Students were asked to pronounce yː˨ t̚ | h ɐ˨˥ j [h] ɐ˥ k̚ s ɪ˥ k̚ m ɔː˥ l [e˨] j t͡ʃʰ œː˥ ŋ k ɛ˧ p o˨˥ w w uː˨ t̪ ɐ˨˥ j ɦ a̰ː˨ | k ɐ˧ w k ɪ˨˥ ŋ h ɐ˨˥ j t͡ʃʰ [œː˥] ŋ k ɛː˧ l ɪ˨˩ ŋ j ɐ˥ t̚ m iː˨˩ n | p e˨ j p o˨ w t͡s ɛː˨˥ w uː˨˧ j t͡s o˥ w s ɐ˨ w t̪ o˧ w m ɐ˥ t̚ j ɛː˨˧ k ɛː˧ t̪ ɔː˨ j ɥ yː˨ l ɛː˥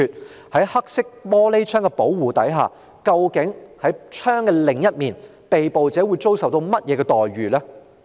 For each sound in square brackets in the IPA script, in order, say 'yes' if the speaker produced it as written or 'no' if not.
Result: yes, no, yes

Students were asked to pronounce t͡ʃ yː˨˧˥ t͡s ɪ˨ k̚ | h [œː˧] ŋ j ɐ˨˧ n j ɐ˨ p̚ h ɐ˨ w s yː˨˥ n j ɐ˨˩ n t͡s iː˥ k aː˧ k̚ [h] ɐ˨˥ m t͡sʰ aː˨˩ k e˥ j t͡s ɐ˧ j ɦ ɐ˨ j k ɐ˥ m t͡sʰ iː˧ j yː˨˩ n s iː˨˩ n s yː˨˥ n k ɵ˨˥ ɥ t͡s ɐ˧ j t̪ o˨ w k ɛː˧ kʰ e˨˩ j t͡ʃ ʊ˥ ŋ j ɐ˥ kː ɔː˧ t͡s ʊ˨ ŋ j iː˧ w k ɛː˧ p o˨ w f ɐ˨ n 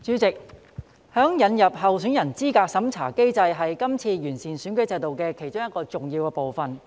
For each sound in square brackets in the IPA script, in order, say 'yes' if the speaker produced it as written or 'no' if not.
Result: no, no

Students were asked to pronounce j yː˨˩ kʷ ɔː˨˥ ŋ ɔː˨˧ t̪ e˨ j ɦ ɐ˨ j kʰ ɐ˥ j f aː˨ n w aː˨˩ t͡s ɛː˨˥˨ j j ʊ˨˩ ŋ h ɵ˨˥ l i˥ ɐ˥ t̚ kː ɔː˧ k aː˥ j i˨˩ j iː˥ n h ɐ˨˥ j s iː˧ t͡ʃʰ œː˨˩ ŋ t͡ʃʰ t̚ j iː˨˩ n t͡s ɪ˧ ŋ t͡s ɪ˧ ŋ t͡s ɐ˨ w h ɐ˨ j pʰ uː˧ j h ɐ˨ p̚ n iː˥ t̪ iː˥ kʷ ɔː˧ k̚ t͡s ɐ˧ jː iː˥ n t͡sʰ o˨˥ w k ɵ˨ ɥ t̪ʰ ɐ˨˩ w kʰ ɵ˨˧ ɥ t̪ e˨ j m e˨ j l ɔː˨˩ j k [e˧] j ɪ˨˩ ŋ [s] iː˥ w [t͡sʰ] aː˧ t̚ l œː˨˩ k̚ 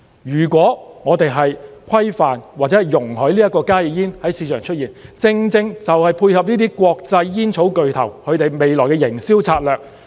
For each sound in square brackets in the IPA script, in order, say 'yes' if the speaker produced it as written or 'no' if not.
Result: no, yes, yes

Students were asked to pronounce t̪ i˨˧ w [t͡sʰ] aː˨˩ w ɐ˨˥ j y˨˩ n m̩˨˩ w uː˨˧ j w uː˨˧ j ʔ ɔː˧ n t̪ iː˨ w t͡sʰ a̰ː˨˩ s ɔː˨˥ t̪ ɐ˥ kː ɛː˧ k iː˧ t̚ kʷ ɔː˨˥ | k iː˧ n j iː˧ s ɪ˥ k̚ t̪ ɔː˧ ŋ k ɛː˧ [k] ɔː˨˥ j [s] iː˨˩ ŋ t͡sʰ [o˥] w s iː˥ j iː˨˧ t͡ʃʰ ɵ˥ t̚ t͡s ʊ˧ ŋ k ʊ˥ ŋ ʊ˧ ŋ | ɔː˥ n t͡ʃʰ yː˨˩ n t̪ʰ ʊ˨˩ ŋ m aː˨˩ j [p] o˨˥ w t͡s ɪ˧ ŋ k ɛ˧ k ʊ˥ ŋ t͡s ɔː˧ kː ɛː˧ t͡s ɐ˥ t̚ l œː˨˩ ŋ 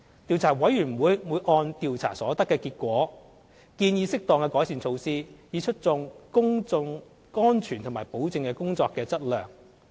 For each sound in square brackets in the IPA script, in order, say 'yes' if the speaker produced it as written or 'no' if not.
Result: yes, yes, yes, no, yes

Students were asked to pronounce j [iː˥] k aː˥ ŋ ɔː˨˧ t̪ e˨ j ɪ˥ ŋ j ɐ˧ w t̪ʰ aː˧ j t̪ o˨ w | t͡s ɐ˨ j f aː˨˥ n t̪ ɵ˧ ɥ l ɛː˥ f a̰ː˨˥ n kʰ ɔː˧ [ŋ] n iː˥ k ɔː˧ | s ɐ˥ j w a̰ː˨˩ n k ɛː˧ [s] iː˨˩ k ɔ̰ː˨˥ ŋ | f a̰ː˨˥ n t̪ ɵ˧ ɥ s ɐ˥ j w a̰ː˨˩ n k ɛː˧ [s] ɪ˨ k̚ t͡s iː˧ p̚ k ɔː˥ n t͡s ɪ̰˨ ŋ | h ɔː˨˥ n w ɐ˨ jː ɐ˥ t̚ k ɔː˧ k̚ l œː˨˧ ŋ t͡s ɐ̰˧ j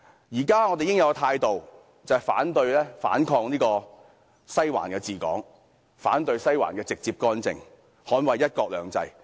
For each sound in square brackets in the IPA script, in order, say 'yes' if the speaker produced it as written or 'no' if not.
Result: no, yes, no, no

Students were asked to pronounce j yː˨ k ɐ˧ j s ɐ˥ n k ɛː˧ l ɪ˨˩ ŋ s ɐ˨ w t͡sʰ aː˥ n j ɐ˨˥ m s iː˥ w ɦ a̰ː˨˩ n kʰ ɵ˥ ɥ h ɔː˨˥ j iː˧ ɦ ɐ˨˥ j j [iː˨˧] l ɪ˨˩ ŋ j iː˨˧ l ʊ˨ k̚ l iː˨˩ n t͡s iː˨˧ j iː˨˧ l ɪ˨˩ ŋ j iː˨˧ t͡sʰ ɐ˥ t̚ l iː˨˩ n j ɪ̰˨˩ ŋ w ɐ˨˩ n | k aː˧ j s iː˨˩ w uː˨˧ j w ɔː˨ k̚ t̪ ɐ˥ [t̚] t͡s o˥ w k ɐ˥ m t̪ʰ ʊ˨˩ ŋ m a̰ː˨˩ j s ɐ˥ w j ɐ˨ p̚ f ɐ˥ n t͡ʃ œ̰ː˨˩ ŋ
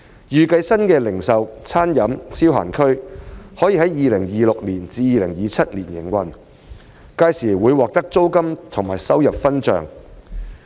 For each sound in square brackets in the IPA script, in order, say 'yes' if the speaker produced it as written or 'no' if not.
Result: yes, no

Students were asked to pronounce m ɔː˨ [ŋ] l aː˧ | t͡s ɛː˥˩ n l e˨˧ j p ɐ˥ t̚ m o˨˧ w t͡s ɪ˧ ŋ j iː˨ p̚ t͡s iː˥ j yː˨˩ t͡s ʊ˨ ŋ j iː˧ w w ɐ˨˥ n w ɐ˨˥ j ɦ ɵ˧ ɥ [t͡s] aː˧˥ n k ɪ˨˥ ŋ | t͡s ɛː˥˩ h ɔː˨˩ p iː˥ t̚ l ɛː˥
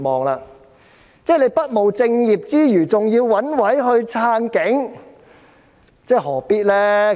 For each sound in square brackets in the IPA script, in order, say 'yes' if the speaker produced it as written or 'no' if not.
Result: yes, no

